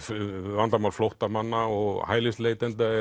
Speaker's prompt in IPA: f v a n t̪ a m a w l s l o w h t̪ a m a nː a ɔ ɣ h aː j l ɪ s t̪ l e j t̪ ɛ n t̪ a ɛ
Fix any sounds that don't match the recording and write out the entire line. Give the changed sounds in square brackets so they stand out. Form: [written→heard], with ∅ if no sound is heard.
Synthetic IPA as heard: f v a n t̪ a m a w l [s→f] l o w h t̪ a m a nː a ɔ ɣ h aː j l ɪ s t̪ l e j t̪ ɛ n t̪ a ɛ